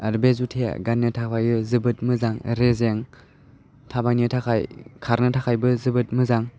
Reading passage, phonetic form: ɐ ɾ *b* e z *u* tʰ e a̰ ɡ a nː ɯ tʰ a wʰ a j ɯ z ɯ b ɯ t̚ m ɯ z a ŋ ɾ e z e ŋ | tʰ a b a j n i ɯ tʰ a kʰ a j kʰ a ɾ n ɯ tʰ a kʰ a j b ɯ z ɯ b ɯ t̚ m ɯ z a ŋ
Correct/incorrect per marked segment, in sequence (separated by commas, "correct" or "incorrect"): correct, correct